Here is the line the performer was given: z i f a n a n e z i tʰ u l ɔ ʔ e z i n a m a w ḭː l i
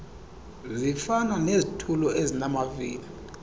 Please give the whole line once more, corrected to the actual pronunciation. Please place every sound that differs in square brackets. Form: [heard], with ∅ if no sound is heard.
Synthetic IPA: z i f a n a n e z i tʰ u l ɔ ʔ e z i n a m a [v] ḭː l i